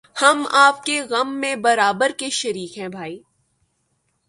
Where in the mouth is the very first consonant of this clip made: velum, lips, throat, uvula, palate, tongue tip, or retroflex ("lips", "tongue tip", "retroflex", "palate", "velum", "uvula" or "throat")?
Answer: throat